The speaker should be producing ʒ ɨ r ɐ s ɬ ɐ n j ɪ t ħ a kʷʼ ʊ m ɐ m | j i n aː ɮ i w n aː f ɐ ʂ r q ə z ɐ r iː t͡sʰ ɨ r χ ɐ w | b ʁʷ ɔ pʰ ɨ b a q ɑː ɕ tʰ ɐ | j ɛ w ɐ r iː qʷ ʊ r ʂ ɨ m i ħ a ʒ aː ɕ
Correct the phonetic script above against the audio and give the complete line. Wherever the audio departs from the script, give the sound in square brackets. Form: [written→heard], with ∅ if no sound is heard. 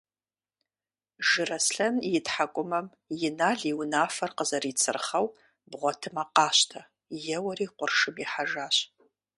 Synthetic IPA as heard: ʒ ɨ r ɐ s ɬ ɐ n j ɪ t ħ a kʷʼ ʊ m ɐ m | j [i→ɪ] n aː ɮ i w n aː f ɐ [ʂ→∅] r q ə z ɐ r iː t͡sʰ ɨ r χ ɐ w | b ʁʷ ɔ [pʰ→tʰ] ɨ [b→m] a q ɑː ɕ tʰ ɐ | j ɛ w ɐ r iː qʷ ʊ r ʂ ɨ m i ħ a ʒ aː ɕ